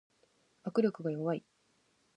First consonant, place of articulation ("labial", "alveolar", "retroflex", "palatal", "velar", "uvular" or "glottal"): velar